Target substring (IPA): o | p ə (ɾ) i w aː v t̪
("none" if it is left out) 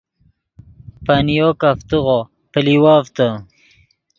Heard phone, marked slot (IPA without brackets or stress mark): l